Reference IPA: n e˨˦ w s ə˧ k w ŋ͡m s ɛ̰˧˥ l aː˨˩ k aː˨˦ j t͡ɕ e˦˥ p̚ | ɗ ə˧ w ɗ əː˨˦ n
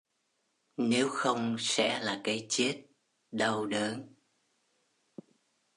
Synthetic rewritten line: n e˨˦ w x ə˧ w ŋ͡m s ɛ̰˧˥ l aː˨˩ k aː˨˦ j t͡ɕ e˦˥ t̚ | ɗ ə˧ w ɗ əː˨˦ n